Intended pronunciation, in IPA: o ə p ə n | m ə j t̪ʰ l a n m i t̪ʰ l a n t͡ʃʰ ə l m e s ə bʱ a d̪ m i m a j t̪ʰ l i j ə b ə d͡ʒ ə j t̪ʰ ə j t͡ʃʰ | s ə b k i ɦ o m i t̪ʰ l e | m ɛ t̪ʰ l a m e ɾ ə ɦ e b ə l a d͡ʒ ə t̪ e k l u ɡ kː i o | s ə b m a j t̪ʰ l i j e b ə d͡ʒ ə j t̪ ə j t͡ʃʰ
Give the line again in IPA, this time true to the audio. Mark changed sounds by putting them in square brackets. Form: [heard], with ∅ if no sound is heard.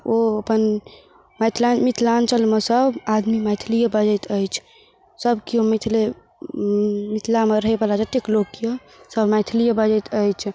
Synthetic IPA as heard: o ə p ə n | m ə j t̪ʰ l a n m i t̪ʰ l a n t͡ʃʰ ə l m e s ə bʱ a d̪ m i m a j t̪ʰ l i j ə b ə d͡ʒ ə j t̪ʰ ə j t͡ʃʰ | s ə b k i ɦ o m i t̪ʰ l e | m [i] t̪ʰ l a m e ɾ ə ɦ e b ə l a d͡ʒ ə t̪ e k l [o] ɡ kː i o | s ə b m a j t̪ʰ l i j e b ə d͡ʒ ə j t̪ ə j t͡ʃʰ